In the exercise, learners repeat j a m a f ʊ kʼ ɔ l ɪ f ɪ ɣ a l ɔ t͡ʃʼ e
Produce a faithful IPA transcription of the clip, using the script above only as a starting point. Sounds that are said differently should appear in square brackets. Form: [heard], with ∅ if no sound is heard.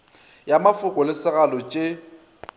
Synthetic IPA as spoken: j a m a f ʊ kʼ ɔ l ɪ [s] ɪ ɣ a l ɔ t͡ʃʼ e

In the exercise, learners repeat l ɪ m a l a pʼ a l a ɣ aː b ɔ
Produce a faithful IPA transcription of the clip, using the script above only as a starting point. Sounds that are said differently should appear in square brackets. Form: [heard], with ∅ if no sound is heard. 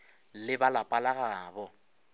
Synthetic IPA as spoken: l ɪ [b] a l a pʼ a l a ɣ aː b ɔ

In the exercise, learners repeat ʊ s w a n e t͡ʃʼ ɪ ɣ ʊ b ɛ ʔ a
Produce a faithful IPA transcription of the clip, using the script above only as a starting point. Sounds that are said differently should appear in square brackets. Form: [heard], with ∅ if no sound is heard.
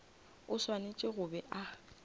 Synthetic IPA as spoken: ʊ s w a n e t͡ʃʼ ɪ ɣ ʊ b ɛ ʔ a

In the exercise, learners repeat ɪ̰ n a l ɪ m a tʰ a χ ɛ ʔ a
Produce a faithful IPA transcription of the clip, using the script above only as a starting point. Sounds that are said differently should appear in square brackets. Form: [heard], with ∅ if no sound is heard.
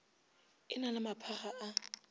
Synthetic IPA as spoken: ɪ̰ n a l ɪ m a [pʰ] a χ [a] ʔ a

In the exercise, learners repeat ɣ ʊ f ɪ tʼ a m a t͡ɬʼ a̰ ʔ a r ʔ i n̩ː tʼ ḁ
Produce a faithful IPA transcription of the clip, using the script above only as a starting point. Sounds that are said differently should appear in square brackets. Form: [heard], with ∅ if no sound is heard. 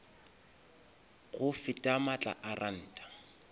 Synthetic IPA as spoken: ɣ ʊ f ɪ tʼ a m a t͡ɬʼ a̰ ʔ a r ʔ [a] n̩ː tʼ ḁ

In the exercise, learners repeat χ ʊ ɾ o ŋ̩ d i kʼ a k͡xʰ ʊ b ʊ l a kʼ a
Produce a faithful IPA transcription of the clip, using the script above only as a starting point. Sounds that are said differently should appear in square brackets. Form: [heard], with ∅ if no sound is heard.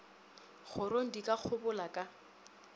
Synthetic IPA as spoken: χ ʊ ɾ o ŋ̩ d i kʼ a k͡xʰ ʊ b ʊ l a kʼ a

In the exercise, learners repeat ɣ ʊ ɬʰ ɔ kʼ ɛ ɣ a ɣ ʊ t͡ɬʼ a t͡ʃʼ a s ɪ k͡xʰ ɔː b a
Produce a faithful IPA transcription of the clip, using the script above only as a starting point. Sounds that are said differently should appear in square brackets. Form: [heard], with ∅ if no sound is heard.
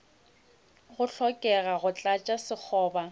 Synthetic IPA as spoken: ɣ ʊ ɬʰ ɔ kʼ ɛ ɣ a ɣ ʊ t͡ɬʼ a t͡ʃʼ a s ɪ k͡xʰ ɔː b a

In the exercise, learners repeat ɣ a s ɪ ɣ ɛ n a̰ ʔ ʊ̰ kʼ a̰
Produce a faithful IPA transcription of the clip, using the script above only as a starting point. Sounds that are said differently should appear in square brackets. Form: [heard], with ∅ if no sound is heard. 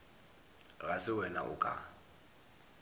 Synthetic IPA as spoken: ɣ a s ɪ [w] ɛ n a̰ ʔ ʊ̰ kʼ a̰

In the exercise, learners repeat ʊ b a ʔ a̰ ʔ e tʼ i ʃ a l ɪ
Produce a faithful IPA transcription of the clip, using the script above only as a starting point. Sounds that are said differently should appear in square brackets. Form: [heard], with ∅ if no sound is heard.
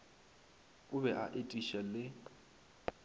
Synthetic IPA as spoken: ʊ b [ɛ] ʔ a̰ ʔ e tʼ i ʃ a l ɪ

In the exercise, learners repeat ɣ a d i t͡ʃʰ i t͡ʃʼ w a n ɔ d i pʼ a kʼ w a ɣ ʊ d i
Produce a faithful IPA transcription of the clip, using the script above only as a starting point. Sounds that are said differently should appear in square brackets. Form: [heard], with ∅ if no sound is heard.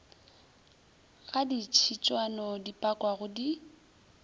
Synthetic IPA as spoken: ɣ a d i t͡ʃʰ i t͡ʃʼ w a n ɔ d i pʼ a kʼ w a ɣ ʊ d i

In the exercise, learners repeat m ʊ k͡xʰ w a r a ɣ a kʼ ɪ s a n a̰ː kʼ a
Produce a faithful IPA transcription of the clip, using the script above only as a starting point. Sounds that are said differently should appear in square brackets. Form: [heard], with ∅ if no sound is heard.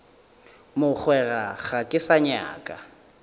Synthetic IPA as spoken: m ʊ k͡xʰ w [ɛ] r a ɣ a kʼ ɪ s a [ɲ] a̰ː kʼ a

